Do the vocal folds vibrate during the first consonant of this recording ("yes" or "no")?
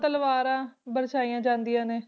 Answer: no